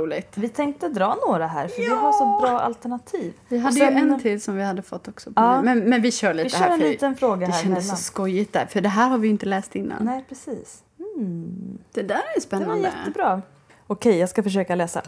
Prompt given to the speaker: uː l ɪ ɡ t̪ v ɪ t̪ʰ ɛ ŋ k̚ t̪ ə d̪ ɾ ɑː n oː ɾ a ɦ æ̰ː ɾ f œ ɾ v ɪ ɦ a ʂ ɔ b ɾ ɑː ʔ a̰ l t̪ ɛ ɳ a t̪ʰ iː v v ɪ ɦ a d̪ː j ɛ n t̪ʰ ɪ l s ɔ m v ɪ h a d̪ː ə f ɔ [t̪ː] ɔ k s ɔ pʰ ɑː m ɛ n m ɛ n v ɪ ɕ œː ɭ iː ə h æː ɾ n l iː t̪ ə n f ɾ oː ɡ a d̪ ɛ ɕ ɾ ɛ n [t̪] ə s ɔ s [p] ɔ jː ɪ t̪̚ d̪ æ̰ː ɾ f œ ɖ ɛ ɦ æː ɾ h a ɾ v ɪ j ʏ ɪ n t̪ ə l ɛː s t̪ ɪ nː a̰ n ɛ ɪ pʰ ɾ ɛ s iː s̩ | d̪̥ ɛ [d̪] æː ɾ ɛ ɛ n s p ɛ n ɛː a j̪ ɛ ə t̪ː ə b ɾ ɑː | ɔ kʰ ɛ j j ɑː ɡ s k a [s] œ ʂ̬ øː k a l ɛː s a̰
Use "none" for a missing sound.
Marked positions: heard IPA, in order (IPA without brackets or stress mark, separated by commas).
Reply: t̪ː, d̪, k, d̪, f